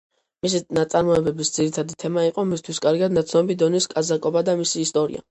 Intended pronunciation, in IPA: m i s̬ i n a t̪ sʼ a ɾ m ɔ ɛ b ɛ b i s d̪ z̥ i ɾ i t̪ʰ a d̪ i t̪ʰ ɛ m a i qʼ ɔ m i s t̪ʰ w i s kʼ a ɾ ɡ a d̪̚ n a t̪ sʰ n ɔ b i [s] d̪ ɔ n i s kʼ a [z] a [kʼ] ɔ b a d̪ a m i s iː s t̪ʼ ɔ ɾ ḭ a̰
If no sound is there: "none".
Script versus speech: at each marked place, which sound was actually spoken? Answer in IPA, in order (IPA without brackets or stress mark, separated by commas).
none, z, kʼ